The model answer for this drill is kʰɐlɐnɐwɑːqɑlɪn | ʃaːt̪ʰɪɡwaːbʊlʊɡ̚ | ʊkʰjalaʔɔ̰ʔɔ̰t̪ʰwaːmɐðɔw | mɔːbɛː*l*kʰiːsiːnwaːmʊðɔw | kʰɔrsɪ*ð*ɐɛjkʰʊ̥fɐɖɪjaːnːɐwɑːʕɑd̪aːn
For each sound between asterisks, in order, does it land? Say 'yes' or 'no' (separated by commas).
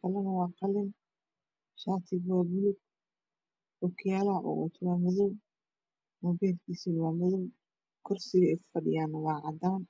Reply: yes, no